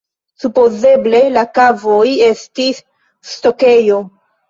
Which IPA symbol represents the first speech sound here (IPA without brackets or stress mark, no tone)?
s